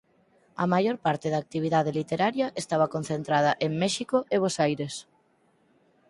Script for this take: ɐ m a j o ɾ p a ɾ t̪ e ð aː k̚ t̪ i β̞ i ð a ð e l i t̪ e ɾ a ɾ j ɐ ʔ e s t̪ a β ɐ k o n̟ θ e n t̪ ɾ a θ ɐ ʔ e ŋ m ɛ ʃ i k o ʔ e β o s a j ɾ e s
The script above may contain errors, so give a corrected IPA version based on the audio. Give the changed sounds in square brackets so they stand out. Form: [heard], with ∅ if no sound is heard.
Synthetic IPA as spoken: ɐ m a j o ɾ p a ɾ t̪ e ð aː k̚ t̪ i β̞ i ð a ð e l i t̪ e ɾ a ɾ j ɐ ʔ e s t̪ a β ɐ k o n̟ θ e n t̪ ɾ a [ð] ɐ ʔ e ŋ m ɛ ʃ i k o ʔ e β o s a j ɾ e s